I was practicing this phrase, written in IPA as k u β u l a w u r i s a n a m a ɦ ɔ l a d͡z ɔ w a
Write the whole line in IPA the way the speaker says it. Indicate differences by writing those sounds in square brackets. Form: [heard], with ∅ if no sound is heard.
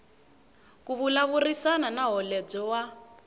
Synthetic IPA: k u β u l a [β] u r i s a n a [n] a ɦ ɔ l [ɛ] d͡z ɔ w a